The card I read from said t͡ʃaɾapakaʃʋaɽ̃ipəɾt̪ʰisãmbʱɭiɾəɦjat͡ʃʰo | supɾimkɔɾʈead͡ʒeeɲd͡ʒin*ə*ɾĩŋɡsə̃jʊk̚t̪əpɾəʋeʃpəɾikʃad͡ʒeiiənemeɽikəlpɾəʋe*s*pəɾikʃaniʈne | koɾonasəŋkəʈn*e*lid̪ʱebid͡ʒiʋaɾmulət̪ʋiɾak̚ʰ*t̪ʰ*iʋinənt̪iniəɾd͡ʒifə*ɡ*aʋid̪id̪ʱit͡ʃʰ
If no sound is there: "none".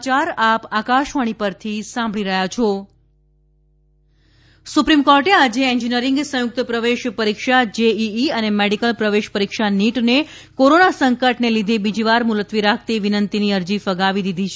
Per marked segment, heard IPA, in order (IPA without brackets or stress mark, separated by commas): ə, ʃ, e, t̪, ɡ